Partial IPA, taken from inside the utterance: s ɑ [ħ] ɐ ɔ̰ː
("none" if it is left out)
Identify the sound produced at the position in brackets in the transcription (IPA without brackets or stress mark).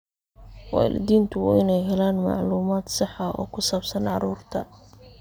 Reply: ħ